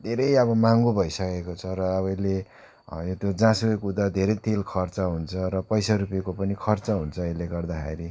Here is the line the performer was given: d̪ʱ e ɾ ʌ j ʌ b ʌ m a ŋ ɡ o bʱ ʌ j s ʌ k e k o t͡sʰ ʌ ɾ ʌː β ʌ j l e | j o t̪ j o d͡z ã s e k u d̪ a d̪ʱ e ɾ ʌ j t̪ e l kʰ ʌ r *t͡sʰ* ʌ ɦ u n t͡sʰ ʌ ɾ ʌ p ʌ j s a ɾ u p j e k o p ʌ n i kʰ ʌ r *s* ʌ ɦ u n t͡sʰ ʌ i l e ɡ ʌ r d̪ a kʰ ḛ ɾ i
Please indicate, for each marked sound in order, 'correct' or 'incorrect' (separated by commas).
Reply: incorrect, incorrect